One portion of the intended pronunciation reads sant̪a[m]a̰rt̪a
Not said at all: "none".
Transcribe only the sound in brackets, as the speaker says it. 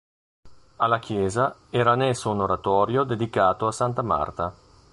m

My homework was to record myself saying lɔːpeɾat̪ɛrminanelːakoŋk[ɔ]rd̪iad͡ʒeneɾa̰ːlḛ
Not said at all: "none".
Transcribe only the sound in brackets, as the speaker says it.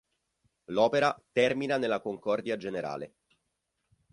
ɔ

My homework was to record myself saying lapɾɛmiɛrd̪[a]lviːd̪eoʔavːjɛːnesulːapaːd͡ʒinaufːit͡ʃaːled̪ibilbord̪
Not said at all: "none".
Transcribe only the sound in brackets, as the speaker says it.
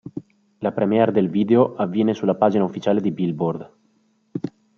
e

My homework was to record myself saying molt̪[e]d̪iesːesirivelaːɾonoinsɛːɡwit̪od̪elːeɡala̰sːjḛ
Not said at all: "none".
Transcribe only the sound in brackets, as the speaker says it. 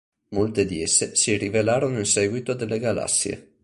e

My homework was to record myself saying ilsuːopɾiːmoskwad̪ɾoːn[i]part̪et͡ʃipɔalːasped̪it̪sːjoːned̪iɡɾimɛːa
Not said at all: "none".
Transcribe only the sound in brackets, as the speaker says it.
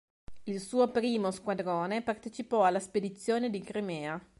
e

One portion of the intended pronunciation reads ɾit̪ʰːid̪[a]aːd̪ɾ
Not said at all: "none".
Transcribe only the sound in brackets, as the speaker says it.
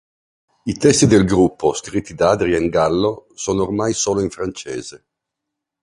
a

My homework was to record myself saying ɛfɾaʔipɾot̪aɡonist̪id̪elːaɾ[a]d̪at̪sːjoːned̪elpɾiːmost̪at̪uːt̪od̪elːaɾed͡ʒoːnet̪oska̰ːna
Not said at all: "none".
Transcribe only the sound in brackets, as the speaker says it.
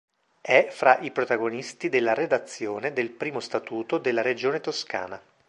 e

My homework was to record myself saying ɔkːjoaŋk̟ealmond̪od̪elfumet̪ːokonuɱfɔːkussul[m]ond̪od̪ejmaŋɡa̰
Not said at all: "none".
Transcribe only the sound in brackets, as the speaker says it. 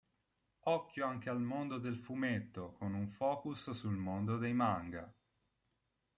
m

